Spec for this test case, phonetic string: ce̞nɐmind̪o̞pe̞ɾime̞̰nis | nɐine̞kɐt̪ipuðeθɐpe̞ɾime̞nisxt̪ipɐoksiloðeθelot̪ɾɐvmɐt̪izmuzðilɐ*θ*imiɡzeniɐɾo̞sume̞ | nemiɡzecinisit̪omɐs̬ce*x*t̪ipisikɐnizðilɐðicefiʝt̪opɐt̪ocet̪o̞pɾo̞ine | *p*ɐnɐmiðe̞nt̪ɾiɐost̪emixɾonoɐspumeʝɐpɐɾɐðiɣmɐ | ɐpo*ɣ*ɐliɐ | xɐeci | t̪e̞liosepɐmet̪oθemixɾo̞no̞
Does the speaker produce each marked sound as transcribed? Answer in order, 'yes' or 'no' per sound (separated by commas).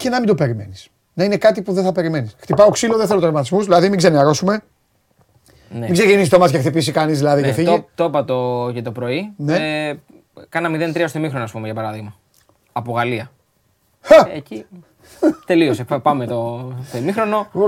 no, yes, no, yes